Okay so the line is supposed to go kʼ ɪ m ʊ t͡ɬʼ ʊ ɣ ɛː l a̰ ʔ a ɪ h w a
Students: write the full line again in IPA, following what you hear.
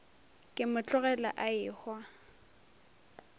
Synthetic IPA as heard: kʼ ɪ m ʊ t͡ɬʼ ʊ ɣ ɛ l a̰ ʔ a ɪ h w a